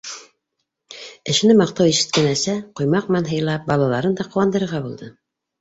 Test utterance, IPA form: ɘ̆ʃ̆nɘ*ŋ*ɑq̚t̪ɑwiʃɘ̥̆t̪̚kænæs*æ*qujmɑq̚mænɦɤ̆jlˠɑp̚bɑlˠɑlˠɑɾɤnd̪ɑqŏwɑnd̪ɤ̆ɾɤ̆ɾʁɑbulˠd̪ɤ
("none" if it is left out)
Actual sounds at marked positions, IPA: m, æ

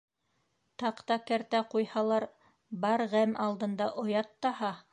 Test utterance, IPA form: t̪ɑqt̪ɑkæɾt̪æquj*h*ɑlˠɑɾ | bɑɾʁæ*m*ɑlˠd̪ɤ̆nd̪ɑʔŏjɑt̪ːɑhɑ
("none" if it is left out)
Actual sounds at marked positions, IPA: h, m

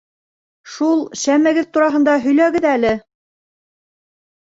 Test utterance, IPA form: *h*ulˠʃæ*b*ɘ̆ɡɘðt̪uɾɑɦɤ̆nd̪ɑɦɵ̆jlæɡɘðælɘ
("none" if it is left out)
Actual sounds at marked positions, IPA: ʃ, m

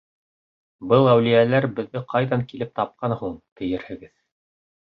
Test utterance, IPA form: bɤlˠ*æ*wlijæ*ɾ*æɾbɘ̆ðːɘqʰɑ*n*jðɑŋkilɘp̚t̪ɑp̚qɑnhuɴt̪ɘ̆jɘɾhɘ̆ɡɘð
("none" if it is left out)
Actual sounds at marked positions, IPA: æ, l, none

